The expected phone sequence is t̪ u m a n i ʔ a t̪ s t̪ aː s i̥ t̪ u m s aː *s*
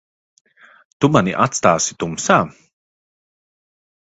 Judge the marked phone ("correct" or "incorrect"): incorrect